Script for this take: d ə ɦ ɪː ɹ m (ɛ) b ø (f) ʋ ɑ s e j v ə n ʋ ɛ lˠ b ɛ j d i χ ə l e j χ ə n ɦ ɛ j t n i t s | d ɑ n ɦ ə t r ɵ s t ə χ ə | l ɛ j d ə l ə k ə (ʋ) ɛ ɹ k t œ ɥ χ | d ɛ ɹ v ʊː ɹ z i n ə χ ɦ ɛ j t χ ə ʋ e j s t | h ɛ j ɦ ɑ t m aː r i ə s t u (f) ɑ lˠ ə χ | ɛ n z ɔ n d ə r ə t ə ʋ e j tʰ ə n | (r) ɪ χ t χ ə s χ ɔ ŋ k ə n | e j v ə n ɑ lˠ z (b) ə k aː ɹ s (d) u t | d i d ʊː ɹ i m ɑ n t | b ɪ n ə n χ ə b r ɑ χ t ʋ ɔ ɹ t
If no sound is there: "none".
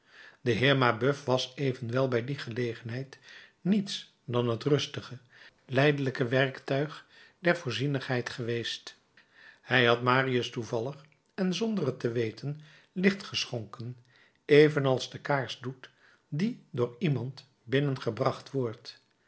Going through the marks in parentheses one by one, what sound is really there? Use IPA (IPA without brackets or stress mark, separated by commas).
a, f, ʋ, v, l, d, d